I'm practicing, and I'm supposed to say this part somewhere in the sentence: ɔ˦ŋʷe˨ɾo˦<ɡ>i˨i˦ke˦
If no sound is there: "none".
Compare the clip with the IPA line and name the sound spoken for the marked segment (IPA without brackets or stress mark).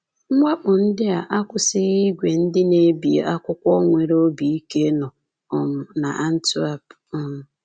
b